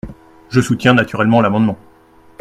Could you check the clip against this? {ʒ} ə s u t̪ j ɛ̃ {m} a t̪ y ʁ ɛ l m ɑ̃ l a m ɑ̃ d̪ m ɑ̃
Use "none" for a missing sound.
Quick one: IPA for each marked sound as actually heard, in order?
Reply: ʒ, n

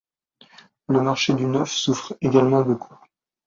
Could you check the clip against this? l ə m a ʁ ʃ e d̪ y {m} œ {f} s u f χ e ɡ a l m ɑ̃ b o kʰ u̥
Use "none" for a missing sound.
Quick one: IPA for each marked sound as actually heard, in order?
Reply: n, f

